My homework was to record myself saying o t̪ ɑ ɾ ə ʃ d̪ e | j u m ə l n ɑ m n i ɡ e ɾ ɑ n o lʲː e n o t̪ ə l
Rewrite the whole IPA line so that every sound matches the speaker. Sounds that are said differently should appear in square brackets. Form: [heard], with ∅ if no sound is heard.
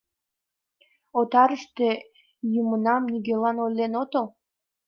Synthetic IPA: o t̪ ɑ ɾ ə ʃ [t̪] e | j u m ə [∅] n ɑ m n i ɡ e [l] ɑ n o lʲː e n o t̪ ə l